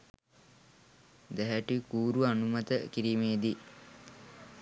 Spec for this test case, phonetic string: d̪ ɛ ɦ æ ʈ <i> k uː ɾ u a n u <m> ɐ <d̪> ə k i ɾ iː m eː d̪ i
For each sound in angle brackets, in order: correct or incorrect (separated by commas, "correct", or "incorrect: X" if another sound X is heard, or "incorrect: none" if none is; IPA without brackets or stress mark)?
correct, correct, incorrect: t̪